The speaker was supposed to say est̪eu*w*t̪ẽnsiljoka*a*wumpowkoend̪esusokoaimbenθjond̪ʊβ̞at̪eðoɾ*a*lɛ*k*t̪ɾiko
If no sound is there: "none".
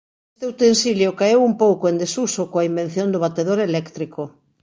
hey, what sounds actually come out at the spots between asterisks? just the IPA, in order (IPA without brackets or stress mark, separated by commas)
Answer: w, e, e, k